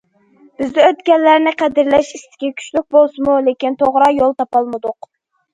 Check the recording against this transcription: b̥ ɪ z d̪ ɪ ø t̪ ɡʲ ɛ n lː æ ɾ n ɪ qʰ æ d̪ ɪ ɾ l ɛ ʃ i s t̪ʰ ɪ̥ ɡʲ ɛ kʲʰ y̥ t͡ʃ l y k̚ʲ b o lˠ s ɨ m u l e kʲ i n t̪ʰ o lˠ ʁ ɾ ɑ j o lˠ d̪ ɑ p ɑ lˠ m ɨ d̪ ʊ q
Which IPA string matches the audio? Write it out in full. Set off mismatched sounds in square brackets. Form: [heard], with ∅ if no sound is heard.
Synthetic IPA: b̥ ɪ z d̪ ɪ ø t̪ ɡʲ ɛ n lː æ ɾ n ɪ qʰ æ d̪ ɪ ɾ l ɛ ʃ i s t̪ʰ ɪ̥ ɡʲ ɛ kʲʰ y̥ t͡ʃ l y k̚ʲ b o lˠ s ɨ m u l e kʲ i n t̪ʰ o [∅] ʁ ɾ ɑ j o lˠ [t̪] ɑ p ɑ lˠ m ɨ d̪ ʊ q